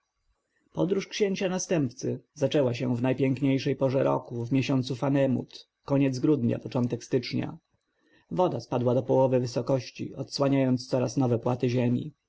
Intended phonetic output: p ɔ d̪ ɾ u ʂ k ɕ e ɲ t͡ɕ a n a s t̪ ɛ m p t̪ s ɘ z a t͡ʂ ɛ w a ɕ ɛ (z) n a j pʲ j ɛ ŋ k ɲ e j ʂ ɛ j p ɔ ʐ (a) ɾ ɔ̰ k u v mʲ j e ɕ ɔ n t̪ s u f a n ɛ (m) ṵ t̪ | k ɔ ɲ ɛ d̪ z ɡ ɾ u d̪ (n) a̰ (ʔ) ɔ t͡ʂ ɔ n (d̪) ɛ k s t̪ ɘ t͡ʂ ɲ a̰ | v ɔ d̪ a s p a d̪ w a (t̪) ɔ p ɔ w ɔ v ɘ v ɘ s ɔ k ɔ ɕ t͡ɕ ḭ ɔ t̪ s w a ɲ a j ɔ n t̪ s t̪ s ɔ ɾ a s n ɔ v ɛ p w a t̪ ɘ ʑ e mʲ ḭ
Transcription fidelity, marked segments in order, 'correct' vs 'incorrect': incorrect, incorrect, correct, incorrect, incorrect, incorrect, incorrect

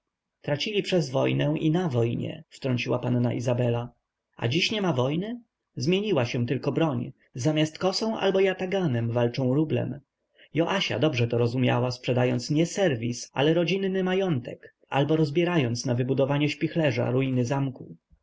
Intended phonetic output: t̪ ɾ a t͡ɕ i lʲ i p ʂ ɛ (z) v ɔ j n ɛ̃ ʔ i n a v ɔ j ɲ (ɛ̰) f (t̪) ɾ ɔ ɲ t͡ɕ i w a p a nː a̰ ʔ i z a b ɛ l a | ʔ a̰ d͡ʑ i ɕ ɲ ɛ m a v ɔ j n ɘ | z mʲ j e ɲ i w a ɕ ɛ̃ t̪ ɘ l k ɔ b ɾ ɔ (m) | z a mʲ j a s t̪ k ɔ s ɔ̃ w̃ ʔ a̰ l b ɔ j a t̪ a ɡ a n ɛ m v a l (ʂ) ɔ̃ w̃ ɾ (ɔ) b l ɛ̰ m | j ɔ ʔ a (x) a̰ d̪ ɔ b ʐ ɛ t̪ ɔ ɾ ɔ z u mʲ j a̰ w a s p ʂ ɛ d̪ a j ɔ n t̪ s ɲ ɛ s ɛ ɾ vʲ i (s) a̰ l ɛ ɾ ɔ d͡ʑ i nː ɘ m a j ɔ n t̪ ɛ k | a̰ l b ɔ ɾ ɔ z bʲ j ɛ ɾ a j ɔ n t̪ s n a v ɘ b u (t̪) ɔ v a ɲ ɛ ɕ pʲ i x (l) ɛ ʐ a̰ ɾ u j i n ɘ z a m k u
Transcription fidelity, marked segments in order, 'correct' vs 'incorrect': correct, correct, correct, incorrect, incorrect, incorrect, incorrect, correct, incorrect, correct

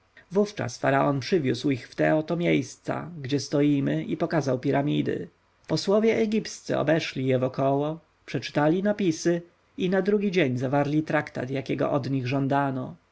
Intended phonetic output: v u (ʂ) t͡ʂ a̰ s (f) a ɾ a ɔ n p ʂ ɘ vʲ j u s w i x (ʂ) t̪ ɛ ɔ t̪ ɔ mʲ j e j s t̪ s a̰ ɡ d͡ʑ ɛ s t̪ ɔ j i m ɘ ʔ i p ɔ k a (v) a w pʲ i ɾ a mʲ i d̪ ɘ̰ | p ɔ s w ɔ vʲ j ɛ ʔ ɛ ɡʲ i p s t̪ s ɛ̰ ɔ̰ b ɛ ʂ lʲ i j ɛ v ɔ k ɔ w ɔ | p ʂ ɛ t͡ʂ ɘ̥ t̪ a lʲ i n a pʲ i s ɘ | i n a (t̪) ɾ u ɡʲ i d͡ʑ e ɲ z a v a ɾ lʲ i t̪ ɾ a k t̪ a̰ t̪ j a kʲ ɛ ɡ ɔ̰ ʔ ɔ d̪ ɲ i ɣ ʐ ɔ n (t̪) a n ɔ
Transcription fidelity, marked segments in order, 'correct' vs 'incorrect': incorrect, correct, incorrect, incorrect, incorrect, incorrect

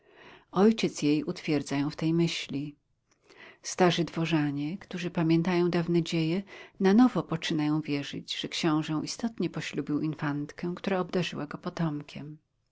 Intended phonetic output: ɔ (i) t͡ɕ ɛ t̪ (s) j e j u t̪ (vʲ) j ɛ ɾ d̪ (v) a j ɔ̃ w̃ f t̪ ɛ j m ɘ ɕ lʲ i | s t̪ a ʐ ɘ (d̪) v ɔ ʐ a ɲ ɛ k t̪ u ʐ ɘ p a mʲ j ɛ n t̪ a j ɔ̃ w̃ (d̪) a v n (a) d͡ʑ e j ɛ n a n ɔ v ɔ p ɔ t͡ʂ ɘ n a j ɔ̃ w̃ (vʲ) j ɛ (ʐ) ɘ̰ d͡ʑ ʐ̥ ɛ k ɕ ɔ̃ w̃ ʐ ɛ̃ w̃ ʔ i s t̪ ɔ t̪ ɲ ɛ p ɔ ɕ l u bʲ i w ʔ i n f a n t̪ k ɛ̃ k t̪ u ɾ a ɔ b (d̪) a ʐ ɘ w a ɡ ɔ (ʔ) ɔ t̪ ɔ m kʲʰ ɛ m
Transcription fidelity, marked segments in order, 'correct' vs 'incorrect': incorrect, correct, incorrect, incorrect, correct, correct, incorrect, correct, correct, correct, incorrect

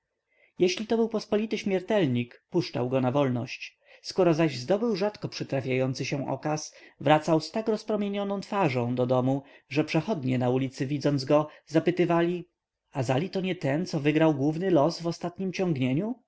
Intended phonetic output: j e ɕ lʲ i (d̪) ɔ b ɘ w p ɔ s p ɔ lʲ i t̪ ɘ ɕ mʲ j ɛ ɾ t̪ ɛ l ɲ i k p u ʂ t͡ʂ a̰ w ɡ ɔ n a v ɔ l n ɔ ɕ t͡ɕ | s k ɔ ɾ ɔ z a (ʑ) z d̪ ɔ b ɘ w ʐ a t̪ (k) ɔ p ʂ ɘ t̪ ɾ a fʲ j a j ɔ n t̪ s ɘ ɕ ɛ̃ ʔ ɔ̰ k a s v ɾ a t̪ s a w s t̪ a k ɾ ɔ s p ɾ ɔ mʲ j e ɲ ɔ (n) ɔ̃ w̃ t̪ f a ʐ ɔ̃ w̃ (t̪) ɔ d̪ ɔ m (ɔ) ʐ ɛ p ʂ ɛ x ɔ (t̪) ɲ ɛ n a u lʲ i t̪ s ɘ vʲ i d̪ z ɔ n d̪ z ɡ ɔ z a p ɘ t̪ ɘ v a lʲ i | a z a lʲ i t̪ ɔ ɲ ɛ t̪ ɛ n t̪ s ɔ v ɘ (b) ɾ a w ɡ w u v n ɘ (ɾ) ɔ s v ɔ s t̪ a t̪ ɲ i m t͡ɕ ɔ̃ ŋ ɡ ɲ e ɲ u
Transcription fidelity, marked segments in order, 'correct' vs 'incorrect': incorrect, correct, correct, correct, incorrect, incorrect, incorrect, incorrect, incorrect

